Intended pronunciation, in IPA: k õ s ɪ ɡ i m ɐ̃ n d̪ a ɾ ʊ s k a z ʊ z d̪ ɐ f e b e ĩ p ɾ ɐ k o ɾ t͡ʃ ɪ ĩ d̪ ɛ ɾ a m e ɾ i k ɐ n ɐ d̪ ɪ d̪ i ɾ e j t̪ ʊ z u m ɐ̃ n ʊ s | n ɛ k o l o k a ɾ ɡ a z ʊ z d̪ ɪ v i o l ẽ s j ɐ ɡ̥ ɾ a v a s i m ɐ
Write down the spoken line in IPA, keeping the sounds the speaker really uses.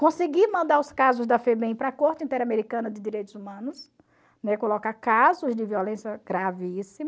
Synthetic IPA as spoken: k õ s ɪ ɡ i m ɐ̃ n d̪ a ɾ ʊ s k a z ʊ z d̪ ɐ f e b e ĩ p ɾ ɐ k o ɾ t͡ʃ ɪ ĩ t̪ ɛ ɾ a m e ɾ i k ɐ̃ n ɐ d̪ ɪ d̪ i ɾ e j t̪ ʊ z u m ɐ̃ n ʊ s | n ɛ k o l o k a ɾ k a z ʊ z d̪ ɪ v i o l ẽ s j ɐ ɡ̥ ɾ a v i s i m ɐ

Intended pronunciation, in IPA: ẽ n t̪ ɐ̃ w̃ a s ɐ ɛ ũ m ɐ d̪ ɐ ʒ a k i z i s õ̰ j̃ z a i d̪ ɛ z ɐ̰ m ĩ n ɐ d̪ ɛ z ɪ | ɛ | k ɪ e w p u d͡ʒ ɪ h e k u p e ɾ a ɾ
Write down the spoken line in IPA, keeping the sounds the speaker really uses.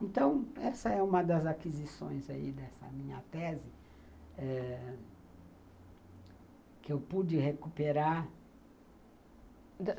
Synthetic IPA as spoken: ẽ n t̪ ɐ̃ w̃ ɛ s ɐ ɛ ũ m ɐ d̪ ɐ z a k i z i s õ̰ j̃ z a i d̪ ɛ s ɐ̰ m ĩ ɲ ɐ t̪ ɛ z ɪ | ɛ | k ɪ e w p u d͡ʒ ɪ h e k u p e ɾ a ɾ

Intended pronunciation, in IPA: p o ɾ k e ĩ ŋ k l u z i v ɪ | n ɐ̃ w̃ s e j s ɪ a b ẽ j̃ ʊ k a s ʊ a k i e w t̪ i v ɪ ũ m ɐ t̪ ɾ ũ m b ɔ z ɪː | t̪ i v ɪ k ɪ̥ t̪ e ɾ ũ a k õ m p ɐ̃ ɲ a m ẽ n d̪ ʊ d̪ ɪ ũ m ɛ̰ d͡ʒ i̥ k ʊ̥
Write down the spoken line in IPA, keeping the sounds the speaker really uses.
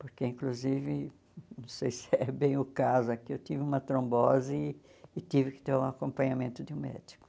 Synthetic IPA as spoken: p o ɾ k e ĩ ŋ k l u z i v ɪ | n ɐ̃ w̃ s e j s ɪ ɛ b ẽ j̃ ʊ k a z ʊ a k i e w t̪ i v ɪ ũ m ɐ t̪ ɾ õ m b ɔ z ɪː | t̪ i v ɪ k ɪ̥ t̪ e ɾ ũ a k õ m p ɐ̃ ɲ a m ẽ n t̪ ʊ d̪ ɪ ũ m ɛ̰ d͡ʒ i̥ k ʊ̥

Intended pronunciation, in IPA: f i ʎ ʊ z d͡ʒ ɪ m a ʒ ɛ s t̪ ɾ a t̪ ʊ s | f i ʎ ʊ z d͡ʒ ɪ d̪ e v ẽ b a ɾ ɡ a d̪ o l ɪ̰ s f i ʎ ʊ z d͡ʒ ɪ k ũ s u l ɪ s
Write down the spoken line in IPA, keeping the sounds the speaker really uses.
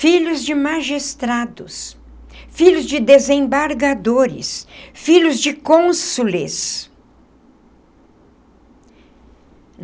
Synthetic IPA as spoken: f i ʎ ʊ z d͡ʒ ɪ m a ʒ i s t̪ ɾ a d̪ ʊ s | f i ʎ ʊ z d͡ʒ ɪ d̪ e z ẽ b a ɾ ɡ a d̪ o ɾ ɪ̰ s f i ʎ ʊ z d͡ʒ ɪ k õ s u l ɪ s

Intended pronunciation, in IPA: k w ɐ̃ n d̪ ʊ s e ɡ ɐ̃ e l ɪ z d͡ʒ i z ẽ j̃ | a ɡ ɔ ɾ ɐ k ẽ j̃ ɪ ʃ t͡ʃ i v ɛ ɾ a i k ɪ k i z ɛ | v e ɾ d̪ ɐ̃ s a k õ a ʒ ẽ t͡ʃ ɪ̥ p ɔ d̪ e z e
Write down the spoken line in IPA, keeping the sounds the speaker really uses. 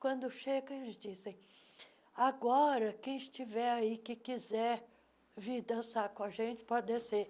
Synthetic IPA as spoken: k w ɐ̃ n d̪ ʊ ʃ e ɡ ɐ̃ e l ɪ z d͡ʒ i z ẽ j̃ | a ɡ ɔ ɾ ɐ k ẽ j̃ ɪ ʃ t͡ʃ i v ɛ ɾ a i k ɪ k i z ɛ | v i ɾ d̪ ɐ̃ s a k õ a ʒ ẽ t͡ʃ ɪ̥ p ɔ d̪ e s e

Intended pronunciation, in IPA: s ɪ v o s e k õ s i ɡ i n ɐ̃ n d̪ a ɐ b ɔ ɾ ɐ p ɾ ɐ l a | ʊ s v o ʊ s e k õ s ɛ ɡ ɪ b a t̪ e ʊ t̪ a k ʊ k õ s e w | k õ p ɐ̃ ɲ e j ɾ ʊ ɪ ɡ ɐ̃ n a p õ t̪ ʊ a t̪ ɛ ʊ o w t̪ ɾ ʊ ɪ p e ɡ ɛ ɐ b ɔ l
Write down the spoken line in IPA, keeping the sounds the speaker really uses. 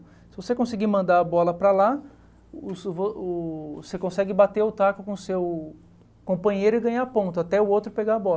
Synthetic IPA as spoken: s ɪ v o s e k õ s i ɡ i m ɐ̃ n d̪ a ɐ b ɔ l ɐ p ɾ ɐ l a | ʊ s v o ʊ s e k õ s ɛ ɡ ɪ b a t̪ e ʊ t̪ a k ʊ k õ s e w | k õ p ɐ̃ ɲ e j ɾ ʊ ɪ ɡ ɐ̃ ɲ a p õ t̪ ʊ a t̪ ɛ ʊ o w t̪ ɾ ʊ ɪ p e ɡ a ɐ b ɔ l

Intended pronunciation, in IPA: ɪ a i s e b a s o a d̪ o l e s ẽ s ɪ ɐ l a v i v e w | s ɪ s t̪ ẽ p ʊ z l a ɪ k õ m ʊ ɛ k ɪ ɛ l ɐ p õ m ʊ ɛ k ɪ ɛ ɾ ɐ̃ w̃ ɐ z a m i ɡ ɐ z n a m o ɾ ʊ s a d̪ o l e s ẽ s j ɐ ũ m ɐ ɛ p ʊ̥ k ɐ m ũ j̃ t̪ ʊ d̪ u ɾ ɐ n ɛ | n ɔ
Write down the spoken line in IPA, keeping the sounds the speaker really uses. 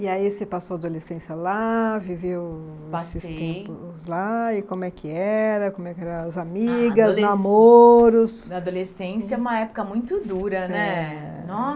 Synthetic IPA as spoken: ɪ a i s e p a s o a d̪ o l e s ẽ s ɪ ɐ l a v i v e w | s ɪ s t̪ ẽ p ʊ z l a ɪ k õ m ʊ ɛ k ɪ ɛ ɾ ɐ k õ m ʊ ɛ k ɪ ɛ ɾ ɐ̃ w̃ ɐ z a m i ɡ ɐ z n a m o ɾ ʊ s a d̪ o l e s ẽ s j ɐ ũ m ɐ ɛ p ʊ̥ k ɐ m ũ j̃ t̪ ʊ d̪ u ɾ ɐ n ɛ | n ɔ

